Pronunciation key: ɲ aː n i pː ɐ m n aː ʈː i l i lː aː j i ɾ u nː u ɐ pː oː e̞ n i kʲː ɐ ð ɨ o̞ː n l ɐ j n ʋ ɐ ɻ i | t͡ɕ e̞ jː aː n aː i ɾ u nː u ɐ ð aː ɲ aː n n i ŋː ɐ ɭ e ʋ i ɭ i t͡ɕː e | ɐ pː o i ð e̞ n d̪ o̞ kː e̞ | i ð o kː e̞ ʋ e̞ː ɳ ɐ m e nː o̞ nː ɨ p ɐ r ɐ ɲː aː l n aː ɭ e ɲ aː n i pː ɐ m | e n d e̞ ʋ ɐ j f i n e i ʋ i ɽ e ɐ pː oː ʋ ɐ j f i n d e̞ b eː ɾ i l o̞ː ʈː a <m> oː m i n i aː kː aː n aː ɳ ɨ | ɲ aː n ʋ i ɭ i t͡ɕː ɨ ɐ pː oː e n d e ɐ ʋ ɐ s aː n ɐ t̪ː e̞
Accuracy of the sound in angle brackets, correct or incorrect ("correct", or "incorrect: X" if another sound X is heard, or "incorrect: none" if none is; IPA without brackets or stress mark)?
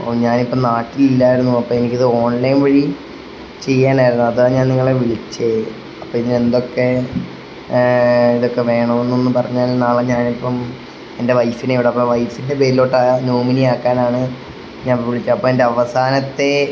incorrect: n